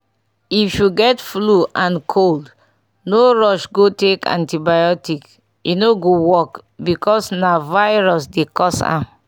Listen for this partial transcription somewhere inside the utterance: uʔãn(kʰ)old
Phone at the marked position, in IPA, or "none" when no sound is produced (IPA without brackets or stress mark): kʰ